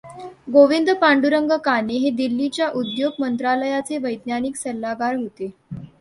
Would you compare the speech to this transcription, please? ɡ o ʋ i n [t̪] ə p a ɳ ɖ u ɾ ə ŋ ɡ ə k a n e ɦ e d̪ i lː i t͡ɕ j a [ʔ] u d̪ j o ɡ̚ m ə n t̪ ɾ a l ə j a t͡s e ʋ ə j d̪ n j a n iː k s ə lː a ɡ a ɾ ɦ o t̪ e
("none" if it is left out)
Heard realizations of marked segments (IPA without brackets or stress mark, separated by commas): d̪, ʔ